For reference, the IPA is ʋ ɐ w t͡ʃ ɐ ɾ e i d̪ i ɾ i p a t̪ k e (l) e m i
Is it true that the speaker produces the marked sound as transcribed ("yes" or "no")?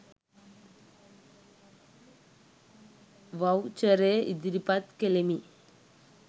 yes